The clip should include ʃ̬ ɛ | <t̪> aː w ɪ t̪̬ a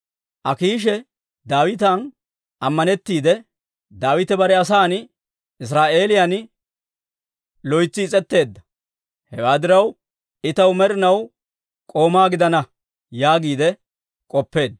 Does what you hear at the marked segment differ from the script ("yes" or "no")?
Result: yes